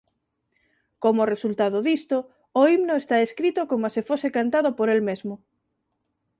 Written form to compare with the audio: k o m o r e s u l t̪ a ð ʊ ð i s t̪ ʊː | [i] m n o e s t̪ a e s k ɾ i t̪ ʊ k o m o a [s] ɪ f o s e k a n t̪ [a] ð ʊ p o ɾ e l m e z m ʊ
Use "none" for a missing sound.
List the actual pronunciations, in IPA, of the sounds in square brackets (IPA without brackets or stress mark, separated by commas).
i, s, a